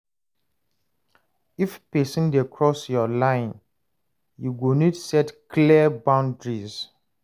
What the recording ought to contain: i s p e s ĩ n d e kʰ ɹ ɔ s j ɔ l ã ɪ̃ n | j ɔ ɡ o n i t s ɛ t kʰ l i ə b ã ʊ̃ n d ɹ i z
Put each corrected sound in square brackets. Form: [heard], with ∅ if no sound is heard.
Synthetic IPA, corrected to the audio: i [f] p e s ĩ n d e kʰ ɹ ɔ s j ɔ l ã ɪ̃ n | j [u] ɡ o n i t s ɛ t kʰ l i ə b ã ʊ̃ n d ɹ i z